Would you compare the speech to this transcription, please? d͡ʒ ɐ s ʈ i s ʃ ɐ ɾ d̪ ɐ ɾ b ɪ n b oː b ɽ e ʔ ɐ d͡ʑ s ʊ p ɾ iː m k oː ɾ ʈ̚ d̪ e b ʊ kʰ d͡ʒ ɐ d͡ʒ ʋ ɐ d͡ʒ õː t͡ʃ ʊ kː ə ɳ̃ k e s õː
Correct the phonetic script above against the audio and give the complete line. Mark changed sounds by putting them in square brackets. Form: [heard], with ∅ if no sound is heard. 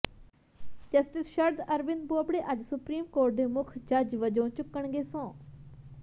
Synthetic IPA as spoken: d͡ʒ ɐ s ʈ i s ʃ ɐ ɾ d̪ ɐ ɾ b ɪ n b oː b ɽ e ʔ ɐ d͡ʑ s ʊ p ɾ iː m k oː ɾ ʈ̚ d̪ e [m] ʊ kʰ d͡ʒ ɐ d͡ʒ ʋ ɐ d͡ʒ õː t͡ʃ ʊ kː ə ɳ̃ [ɡ] e s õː